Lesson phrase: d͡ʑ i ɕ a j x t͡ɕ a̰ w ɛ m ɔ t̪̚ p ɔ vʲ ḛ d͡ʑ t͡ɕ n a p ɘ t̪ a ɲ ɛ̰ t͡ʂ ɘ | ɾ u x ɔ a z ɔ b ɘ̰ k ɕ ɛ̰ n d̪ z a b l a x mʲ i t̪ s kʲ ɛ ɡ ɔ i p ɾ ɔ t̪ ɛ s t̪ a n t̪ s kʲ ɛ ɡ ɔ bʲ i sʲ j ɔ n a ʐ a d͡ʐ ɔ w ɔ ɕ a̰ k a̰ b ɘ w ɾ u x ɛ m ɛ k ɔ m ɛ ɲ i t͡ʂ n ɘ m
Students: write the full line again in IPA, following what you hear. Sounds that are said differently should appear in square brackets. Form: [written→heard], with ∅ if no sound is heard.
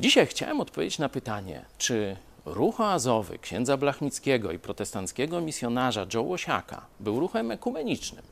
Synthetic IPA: d͡ʑ i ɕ a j x t͡ɕ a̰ w ɛ m ɔ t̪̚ p ɔ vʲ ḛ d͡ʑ t͡ɕ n a p ɘ t̪ a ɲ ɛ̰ t͡ʂ ɘ | ɾ u x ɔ a z ɔ [b→v] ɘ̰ k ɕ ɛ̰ n d̪ z a b l a x mʲ i t̪ s kʲ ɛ ɡ ɔ i p ɾ ɔ t̪ ɛ s t̪ a n t̪ s kʲ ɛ ɡ ɔ [bʲ→mʲ] i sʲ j ɔ n a ʐ a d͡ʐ ɔ w ɔ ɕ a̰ k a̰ b ɘ w ɾ u x ɛ m ɛ k [ɔ→u] m ɛ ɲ i t͡ʂ n ɘ m